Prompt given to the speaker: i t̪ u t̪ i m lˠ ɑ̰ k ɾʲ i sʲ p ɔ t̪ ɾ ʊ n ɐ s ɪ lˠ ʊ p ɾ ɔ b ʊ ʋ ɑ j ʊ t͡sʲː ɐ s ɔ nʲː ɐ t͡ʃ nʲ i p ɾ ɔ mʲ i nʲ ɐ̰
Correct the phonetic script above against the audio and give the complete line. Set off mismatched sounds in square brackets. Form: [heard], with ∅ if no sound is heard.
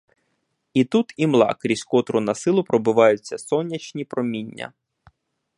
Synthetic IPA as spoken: i t̪ u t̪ i m lˠ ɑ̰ k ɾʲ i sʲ [k] ɔ t̪ ɾ ʊ n ɐ s ɪ lˠ ʊ p ɾ ɔ b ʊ ʋ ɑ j ʊ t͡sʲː ɐ s ɔ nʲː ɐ t͡ʃ nʲ i p ɾ ɔ mʲ i [nʲː] ɐ̰